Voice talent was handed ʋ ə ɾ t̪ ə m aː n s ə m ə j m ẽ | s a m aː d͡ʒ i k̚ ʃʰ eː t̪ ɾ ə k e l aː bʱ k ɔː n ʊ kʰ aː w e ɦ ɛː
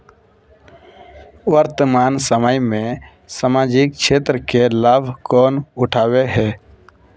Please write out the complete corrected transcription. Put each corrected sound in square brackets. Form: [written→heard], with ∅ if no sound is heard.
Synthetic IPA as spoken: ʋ ə ɾ t̪ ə m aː n s ə m ə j m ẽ | s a m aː d͡ʒ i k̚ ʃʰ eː t̪ ɾ ə k e l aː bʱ k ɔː n ʊ [kʰ→ʈʰ] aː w e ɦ ɛː